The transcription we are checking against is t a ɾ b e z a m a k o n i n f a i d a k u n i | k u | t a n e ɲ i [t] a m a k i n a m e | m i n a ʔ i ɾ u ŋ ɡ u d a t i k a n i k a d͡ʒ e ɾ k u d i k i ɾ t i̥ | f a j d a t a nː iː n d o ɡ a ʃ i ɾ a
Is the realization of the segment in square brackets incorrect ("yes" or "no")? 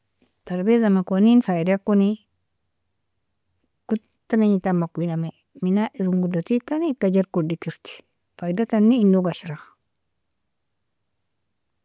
no